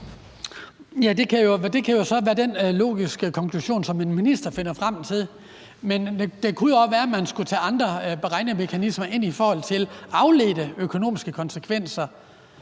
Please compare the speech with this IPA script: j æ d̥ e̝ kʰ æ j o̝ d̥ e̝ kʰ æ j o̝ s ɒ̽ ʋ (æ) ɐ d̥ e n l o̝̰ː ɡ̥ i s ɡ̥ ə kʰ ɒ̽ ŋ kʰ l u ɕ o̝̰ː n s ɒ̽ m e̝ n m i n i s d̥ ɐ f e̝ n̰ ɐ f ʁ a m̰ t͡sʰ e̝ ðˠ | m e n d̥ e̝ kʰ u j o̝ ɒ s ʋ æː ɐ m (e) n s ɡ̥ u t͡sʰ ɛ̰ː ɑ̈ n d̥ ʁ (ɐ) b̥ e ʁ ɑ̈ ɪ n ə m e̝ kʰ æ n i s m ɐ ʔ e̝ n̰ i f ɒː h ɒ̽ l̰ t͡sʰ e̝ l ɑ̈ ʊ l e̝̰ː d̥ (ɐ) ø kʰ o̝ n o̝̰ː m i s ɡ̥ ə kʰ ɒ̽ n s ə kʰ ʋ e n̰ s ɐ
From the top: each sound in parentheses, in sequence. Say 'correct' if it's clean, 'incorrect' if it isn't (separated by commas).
incorrect, incorrect, correct, incorrect